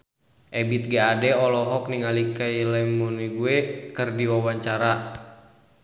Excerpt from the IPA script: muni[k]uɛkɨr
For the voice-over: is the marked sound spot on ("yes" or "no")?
no